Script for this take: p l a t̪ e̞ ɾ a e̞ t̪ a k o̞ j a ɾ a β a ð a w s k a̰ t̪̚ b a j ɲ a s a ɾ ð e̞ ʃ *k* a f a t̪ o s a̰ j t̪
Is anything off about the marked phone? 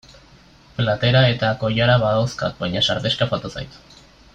no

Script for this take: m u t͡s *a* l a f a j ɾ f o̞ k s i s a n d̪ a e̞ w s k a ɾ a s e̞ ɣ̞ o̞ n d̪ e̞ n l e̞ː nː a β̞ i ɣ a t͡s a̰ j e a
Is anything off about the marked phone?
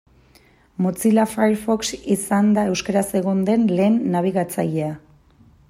yes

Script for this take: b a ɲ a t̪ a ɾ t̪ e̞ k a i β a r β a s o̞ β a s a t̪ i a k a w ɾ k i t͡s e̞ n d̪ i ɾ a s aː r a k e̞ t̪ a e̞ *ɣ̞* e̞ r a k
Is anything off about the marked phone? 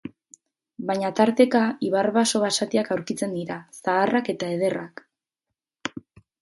yes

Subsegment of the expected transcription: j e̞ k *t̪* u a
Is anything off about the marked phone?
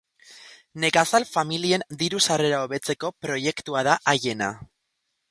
no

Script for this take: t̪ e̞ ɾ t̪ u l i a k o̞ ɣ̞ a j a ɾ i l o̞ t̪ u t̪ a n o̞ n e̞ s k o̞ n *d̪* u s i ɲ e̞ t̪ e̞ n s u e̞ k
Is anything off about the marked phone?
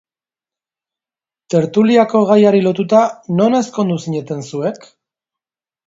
no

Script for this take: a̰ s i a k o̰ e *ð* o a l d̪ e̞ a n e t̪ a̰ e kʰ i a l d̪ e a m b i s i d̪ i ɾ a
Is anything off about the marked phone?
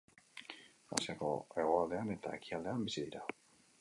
yes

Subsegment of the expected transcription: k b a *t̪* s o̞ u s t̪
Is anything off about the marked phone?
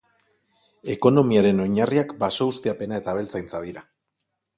yes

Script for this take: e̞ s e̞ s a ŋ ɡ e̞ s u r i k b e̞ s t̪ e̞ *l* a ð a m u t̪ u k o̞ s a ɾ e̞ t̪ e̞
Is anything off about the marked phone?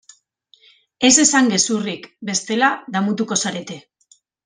no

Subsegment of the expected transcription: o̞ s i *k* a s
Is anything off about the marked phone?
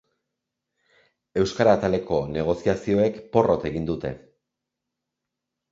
yes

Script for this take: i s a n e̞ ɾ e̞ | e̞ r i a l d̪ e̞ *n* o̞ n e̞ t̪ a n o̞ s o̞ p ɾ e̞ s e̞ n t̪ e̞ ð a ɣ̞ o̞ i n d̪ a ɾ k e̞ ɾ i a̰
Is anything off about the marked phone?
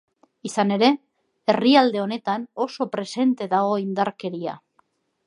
yes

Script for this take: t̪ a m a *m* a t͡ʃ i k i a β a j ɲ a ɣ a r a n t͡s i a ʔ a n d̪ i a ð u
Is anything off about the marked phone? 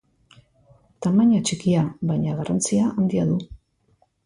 yes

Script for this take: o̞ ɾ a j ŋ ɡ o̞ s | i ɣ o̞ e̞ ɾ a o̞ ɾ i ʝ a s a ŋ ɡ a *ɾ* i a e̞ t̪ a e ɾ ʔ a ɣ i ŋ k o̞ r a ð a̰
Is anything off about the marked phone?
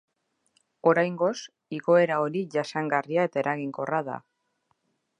yes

